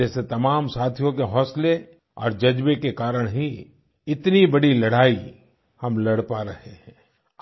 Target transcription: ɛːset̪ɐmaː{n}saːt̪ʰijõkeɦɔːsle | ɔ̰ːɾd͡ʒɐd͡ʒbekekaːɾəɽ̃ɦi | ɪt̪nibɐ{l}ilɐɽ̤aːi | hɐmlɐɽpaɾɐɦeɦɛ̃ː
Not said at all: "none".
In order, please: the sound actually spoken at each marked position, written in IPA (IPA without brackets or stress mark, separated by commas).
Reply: m, ɽ